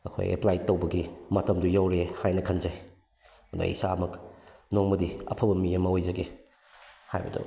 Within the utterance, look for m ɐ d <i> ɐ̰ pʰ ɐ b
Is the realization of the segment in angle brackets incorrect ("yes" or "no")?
no